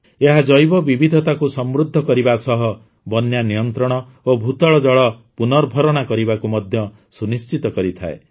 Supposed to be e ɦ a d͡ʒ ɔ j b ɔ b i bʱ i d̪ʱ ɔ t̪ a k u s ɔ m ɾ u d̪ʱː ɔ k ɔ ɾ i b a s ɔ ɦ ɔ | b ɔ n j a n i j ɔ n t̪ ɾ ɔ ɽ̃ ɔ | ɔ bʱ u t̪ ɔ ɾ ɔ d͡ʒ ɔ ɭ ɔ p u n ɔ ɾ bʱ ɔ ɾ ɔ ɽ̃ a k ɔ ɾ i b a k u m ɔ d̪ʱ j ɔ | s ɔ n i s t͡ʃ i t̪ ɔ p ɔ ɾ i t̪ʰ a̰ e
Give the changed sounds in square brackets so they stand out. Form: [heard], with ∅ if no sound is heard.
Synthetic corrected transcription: e ɦ a d͡ʒ ɔ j b ɔ b i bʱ i d̪ʱ ɔ t̪ a k u s ɔ m ɾ u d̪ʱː ɔ k ɔ ɾ i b a s ɔ ɦ ɔ | b ɔ n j a n i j ɔ n t̪ ɾ ɔ ɽ̃ ɔ | [o] bʱ u t̪ ɔ [ɭ] ɔ d͡ʒ ɔ ɭ ɔ p u n ɔ ɾ bʱ ɔ ɾ ɔ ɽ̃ a k ɔ ɾ i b a k u m ɔ d̪ʱ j ɔ | s [u] n i s t͡ʃ i t̪ ɔ [k] ɔ ɾ i t̪ʰ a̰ e

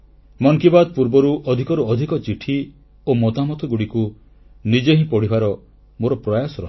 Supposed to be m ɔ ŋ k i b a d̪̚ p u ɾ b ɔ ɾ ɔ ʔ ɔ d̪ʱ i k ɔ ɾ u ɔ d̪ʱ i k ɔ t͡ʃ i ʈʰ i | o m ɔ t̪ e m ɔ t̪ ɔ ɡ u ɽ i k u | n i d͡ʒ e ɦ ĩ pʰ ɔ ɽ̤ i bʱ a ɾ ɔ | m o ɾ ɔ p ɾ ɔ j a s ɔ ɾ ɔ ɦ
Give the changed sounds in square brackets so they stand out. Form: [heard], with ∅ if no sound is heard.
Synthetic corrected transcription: m ɔ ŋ k i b a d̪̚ p u ɾ b ɔ ɾ [u] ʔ ɔ d̪ʱ i k ɔ ɾ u ɔ d̪ʱ i k ɔ t͡ʃ i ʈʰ i | o m ɔ t̪ [a] m ɔ t̪ ɔ ɡ u ɽ i k u | n i d͡ʒ e ɦ ĩ [p] ɔ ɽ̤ i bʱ a ɾ ɔ | m o ɾ ɔ p ɾ ɔ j a s ɔ ɾ ɔ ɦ

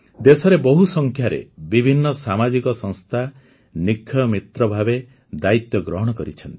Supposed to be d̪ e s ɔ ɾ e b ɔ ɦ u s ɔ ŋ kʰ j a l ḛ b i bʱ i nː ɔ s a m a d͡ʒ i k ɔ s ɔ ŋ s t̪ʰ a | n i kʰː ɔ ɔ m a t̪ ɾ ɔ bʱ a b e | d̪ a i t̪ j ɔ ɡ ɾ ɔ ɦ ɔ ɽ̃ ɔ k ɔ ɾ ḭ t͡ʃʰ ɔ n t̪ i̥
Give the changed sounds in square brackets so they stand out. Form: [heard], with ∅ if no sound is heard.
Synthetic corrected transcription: d̪ e s ɔ ɾ e b ɔ ɦ u s ɔ ŋ kʰ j a [ɾ] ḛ b i bʱ i nː ɔ s a m a d͡ʒ i k ɔ s ɔ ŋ s t̪ʰ a | n i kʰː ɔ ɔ m [i] t̪ ɾ ɔ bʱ a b e | d̪ a i t̪ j ɔ ɡ ɾ ɔ ɦ ɔ ɽ̃ ɔ k ɔ ɾ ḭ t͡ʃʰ ɔ n t̪ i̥

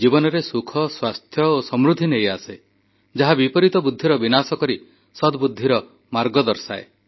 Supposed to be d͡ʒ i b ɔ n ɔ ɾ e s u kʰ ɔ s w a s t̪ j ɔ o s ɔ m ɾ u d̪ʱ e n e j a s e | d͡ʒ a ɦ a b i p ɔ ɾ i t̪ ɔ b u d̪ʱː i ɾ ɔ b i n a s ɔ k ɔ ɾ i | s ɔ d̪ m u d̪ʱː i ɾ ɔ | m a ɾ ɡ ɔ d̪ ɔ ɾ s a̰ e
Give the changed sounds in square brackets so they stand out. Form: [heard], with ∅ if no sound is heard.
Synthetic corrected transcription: d͡ʒ i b ɔ n ɔ ɾ e s u kʰ ɔ s w a s [t̪ʰ] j ɔ o s ɔ m ɾ u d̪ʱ [i] n e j a s e | d͡ʒ a ɦ a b i p ɔ ɾ i t̪ ɔ b u d̪ʱː i ɾ ɔ b i n a s ɔ k ɔ ɾ i | s ɔ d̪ [b] u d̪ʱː i ɾ ɔ | m a ɾ ɡ ɔ d̪ ɔ ɾ s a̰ e

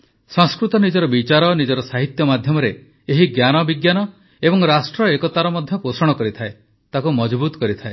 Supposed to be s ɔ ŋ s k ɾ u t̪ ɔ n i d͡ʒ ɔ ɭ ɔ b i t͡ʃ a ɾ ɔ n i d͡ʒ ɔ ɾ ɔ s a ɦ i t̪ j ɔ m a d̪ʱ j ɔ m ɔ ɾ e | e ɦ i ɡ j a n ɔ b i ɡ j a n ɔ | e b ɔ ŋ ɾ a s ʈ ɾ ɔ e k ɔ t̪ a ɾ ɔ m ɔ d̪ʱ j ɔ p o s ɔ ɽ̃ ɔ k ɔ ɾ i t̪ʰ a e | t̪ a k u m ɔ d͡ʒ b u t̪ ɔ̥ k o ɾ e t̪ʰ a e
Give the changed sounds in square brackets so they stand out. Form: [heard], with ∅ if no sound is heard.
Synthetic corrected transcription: s ɔ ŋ s k ɾ u t̪ ɔ n i d͡ʒ ɔ [ɾ] ɔ b i t͡ʃ a ɾ ɔ n i d͡ʒ ɔ ɾ ɔ s a ɦ i t̪ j ɔ m a d̪ʱ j ɔ m ɔ ɾ e | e ɦ i ɡ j a n ɔ b i ɡ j a n ɔ | e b ɔ ŋ ɾ a s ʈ ɾ ɔ e k ɔ t̪ a ɾ ɔ m ɔ d̪ʱ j ɔ p o s ɔ ɽ̃ ɔ k ɔ ɾ i t̪ʰ a e | t̪ a k u m ɔ d͡ʒ b u t̪ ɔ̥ k [ɔ] ɾ [i] t̪ʰ a e

